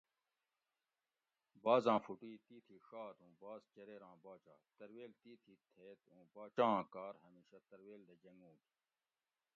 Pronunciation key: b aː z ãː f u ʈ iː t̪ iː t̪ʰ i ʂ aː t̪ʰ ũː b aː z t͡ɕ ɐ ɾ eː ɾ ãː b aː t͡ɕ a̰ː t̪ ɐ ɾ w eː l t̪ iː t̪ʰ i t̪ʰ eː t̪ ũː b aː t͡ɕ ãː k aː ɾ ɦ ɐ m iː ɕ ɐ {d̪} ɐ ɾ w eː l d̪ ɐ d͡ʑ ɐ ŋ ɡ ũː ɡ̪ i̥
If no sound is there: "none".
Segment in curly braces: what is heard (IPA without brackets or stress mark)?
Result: t̪